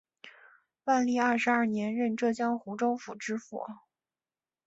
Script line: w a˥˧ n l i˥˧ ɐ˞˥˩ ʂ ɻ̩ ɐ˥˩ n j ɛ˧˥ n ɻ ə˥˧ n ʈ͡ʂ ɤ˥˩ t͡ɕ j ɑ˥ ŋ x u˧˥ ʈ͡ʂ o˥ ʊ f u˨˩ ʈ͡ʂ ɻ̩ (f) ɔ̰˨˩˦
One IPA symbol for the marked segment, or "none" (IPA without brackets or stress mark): f